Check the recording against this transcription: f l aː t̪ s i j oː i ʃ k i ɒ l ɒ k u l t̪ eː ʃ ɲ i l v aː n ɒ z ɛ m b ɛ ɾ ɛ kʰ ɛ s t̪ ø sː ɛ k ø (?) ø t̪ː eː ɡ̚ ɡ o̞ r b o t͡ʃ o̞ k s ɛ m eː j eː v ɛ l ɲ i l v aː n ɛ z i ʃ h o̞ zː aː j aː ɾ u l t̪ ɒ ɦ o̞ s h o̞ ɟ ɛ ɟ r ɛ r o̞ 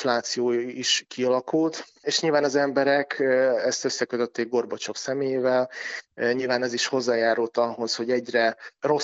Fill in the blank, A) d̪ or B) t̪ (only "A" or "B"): B